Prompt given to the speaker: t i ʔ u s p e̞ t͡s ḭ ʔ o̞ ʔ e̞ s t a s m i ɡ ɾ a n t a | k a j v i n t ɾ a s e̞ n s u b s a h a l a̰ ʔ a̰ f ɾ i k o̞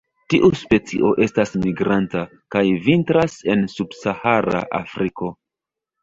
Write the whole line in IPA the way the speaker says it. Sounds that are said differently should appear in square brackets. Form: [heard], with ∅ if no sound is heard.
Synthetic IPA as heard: t i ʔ u s p e̞ t͡s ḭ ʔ o̞ ʔ e̞ s t a s m i ɡ ɾ a n t a | k a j v i n t ɾ a s e̞ n s u b s a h a [ɾ] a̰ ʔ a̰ f ɾ i k o̞